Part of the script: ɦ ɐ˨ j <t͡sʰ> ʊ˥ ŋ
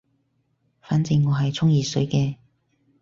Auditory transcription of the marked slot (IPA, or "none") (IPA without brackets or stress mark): t͡sʰ